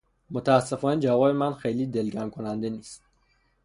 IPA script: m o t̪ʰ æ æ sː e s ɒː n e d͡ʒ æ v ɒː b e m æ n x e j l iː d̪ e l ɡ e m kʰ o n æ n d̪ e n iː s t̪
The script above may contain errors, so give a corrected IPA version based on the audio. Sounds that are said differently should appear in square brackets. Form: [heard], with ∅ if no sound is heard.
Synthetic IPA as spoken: m o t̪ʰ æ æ sː e [f] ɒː n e d͡ʒ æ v ɒː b e m æ n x e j l iː d̪ e l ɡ [æ] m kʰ o n æ n d̪ e n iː s t̪